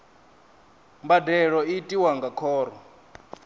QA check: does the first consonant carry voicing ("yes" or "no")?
yes